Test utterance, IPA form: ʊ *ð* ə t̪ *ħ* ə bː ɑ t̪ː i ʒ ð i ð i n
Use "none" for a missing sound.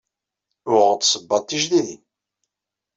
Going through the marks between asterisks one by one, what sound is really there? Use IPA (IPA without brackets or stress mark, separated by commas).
ʁ, s